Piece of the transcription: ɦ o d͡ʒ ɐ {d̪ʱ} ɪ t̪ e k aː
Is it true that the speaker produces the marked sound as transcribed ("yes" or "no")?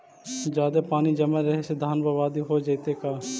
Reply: no